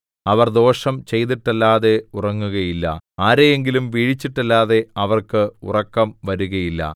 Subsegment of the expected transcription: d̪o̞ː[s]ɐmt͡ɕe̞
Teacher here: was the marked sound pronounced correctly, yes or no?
no